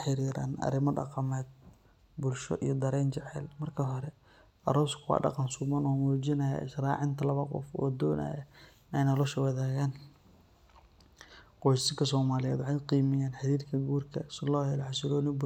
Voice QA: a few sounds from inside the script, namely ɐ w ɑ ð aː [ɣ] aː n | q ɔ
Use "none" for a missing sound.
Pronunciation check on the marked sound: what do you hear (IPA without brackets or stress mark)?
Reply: ɣ